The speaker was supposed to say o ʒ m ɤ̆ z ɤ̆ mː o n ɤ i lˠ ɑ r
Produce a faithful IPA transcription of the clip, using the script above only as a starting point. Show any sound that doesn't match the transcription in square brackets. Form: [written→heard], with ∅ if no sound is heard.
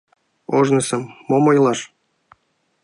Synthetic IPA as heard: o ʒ [m→n] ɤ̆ [z→s] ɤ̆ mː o [n→m] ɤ [i→j] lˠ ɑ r